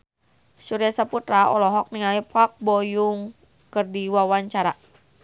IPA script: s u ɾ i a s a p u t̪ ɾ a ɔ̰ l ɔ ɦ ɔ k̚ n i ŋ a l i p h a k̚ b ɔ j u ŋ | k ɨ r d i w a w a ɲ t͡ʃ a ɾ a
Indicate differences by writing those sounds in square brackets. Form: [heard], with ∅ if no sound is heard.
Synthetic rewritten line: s u ɾ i a s a p u t̪ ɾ a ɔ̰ l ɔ ɦ ɔ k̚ n i ŋ a l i p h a k̚ b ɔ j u ŋ | k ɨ r d i w a w a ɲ t͡ʃ a ɾ a